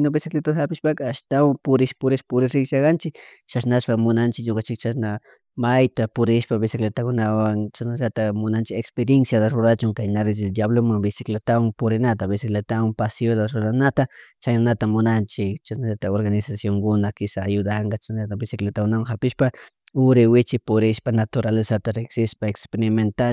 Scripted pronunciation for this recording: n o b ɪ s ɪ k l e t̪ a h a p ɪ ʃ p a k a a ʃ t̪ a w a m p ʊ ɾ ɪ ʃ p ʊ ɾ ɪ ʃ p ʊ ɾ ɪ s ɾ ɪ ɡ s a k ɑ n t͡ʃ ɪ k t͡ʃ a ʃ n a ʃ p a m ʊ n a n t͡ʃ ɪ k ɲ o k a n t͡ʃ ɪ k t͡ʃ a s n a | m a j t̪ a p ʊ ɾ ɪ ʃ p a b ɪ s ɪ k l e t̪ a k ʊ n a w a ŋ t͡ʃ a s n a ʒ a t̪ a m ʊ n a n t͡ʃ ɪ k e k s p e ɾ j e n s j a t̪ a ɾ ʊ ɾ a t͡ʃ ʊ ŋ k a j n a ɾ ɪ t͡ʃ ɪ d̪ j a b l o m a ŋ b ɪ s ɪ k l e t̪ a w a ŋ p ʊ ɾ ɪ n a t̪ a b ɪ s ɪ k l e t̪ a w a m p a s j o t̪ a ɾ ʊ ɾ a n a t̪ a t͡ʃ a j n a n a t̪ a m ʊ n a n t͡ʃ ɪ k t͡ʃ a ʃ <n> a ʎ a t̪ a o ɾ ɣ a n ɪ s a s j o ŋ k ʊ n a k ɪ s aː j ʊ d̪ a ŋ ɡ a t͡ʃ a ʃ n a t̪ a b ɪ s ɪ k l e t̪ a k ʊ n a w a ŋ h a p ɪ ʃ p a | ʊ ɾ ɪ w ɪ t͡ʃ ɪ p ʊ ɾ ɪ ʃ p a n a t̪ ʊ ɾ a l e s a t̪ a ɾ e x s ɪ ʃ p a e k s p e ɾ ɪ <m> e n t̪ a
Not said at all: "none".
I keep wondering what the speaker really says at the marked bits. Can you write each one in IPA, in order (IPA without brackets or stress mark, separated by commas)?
n, m